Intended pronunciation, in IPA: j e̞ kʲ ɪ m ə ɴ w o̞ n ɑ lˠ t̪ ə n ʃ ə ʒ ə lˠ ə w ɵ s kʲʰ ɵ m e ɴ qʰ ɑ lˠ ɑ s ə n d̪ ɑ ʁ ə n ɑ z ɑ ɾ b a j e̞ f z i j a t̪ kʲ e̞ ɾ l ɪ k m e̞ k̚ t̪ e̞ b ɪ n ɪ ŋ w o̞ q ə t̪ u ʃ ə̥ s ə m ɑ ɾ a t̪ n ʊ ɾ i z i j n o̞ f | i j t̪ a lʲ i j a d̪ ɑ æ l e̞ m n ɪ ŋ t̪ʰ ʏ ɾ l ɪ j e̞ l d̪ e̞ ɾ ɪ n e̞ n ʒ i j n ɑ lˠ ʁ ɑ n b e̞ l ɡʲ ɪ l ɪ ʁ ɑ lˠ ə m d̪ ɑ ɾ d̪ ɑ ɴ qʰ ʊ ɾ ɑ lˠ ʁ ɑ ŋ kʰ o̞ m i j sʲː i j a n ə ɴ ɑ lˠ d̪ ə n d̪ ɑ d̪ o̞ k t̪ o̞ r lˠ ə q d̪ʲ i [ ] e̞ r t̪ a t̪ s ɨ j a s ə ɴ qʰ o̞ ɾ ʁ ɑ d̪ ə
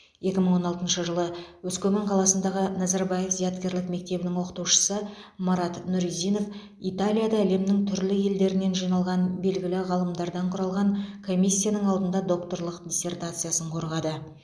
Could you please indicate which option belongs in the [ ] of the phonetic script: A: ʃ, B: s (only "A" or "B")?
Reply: B